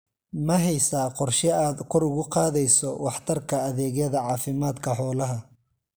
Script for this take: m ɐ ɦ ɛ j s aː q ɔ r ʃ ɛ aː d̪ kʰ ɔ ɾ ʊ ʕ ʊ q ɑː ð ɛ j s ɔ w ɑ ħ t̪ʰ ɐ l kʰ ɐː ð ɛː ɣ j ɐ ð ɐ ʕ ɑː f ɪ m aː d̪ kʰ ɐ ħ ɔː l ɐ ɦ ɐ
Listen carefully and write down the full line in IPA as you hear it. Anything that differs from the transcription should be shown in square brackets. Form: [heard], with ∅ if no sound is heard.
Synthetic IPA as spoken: m ɐ ɦ ɛ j s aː q ɔ r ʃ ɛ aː d̪ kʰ ɔ ɾ ʊ [ɣ] ʊ q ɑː ð ɛ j s ɔ w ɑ ħ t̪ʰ ɐ [r] kʰ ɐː ð ɛː ɣ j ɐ ð ɐ ʕ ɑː f ɪ m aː d̪ kʰ ɐ ħ ɔː l ɐ ɦ ɐ